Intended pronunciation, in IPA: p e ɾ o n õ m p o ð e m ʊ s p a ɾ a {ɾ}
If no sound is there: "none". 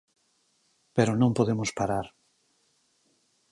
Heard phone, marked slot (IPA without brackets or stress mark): ɾ